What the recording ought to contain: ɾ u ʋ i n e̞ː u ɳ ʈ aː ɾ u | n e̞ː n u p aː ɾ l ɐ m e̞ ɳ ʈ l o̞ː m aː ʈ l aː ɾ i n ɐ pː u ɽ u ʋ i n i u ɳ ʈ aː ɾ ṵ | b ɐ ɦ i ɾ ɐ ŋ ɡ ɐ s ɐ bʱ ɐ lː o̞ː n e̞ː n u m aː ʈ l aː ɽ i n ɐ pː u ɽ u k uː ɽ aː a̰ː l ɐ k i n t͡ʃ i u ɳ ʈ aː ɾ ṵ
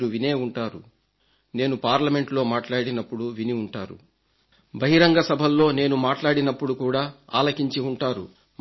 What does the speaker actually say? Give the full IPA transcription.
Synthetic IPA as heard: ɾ u ʋ i n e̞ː u ɳ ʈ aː ɾ u | n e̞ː n u p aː ɾ l ɐ m e̞ ɳ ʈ l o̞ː m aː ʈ l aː ɽ i n ɐ pː u ɽ u ʋ i n i u ɳ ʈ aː ɾ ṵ | b ɐ ɦ i ɾ ɐ ŋ ɡ ɐ s ɐ bʱ ɐ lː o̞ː n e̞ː n u m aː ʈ l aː ɽ i n ɐ pː u ɽ u k uː ɽ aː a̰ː l ɐ k i ɲ t͡ʃ i u ɳ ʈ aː ɾ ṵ